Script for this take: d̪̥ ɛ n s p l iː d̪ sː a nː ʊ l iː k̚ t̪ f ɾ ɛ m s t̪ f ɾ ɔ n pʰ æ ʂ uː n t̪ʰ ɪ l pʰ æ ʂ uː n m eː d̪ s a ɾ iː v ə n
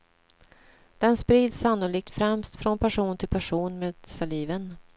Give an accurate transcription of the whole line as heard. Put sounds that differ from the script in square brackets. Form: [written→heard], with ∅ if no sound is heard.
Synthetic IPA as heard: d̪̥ ɛ n s p [l→ɾ] iː d̪ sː a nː ʊ l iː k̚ t̪ f ɾ ɛ m s t̪ f ɾ ɔ n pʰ æ ʂ uː n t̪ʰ ɪ l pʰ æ ʂ uː n m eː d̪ s a [ɾ→l] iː v ə n

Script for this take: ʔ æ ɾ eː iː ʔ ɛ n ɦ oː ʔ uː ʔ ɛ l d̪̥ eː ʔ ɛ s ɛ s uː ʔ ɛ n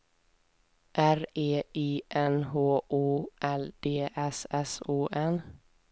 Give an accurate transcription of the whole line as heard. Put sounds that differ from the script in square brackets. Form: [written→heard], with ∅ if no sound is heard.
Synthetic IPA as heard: ʔ æ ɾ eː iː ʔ ɛ n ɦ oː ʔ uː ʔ ɛ l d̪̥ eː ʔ ɛ s ɛ s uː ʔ ɛ n

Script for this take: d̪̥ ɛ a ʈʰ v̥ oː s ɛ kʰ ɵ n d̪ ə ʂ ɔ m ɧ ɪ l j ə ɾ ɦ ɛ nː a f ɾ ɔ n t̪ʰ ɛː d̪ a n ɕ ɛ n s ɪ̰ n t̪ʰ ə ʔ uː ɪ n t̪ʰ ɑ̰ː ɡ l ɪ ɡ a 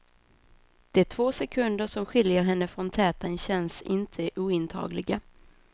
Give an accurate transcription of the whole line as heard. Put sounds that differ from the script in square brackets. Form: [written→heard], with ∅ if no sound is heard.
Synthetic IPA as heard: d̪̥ ɛ [a→æ] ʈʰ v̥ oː s ɛ kʰ ɵ n d̪ ə ʂ ɔ m ɧ ɪ l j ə ɾ ɦ ɛ nː [a→ə] f ɾ ɔ n t̪ʰ ɛː [d̪→t̪] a n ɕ ɛ n s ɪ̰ n t̪ʰ ə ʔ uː ɪ n t̪ʰ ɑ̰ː ɡ l ɪ ɡ a

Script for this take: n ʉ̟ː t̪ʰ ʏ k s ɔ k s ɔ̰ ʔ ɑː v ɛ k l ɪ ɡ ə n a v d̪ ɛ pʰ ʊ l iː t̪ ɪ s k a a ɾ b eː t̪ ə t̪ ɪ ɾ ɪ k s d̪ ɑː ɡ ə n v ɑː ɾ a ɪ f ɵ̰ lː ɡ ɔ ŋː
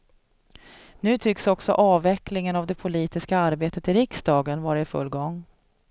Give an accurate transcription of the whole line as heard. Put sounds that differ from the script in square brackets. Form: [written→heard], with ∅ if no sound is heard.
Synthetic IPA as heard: n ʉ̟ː t̪ʰ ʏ k s ɔ k s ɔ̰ ʔ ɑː v ɛ k l ɪ [ɡ→ŋ] ə n a v d̪ ɛ pʰ ʊ l iː t̪ ɪ s k a a ɾ b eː t̪ ə t̪ ɪ ɾ ɪ k s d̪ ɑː ɡ ə n v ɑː ɾ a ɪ f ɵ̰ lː ɡ ɔ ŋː

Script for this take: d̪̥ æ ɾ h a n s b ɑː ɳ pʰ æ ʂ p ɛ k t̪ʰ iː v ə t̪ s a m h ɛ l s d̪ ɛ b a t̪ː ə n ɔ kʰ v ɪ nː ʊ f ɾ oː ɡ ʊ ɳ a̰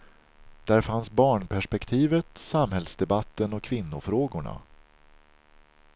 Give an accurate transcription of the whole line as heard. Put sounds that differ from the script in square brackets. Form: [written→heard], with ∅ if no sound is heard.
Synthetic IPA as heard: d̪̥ æ ɾ [h→f] a n s b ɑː ɳ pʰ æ ʂ p ɛ k t̪ʰ iː v ə t̪ s a m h ɛ l s d̪ ɛ b a t̪ː ə n ɔ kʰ v ɪ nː ʊ f ɾ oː ɡ ʊ ɳ a̰

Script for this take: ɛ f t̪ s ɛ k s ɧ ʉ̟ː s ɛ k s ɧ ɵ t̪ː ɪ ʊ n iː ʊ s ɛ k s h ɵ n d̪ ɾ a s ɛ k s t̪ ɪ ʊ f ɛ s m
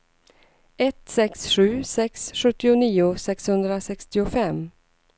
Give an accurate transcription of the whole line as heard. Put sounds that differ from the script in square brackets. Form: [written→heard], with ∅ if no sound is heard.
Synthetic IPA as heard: ɛ [f→∅] t̪ s ɛ k s ɧ ʉ̟ː s ɛ k s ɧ ɵ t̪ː ɪ ʊ n iː ʊ s ɛ k s h ɵ n d̪ ɾ a s ɛ k s t̪ ɪ ʊ f ɛ [s→∅] m

